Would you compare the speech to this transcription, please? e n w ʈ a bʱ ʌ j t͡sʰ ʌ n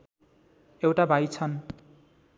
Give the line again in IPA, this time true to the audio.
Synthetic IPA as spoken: e w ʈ a bʱ a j t͡sʰ ʌ n